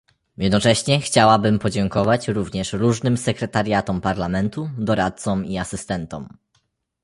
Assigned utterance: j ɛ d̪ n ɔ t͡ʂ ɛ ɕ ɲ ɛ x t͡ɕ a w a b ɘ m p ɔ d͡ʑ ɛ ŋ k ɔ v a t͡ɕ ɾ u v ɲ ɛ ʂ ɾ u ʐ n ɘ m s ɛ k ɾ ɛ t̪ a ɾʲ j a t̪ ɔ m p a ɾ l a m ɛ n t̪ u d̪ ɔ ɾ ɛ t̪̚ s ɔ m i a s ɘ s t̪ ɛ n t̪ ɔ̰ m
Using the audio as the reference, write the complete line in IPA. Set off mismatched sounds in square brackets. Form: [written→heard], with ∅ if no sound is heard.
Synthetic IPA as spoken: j ɛ d̪ n ɔ t͡ʂ ɛ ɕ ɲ ɛ x t͡ɕ a w a b ɘ m p ɔ d͡ʑ ɛ ŋ k ɔ v a t͡ɕ ɾ u v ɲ ɛ ʂ ɾ u ʐ n ɘ m s ɛ k ɾ ɛ t̪ a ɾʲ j a t̪ ɔ m p a ɾ l a m ɛ n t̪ u d̪ ɔ ɾ [ɛ→a] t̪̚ s ɔ m i a s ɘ s t̪ ɛ n t̪ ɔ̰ m